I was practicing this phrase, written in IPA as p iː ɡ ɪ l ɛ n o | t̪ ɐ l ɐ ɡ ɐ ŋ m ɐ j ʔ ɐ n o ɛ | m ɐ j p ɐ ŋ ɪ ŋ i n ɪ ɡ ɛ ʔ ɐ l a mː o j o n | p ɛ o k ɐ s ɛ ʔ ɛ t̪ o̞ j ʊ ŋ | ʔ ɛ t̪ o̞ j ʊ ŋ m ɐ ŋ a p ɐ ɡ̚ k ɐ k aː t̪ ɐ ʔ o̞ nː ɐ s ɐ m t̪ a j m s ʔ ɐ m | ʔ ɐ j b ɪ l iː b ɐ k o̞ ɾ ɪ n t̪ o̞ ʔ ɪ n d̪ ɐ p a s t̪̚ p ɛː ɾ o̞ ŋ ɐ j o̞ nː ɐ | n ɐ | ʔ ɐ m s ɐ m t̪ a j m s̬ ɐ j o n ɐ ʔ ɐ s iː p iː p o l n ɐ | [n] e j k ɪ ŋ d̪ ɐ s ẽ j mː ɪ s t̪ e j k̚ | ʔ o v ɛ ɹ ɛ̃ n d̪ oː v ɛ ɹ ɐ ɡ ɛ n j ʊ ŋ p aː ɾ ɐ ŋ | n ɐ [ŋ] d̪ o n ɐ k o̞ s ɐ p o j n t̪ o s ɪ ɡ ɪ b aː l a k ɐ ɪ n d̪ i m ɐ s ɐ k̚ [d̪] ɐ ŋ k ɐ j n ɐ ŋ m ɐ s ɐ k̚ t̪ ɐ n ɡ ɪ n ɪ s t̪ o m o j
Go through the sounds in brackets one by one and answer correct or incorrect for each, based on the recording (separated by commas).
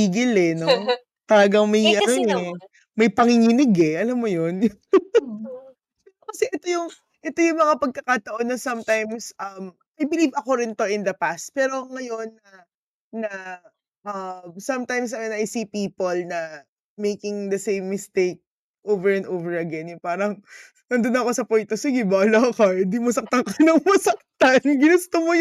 incorrect, incorrect, incorrect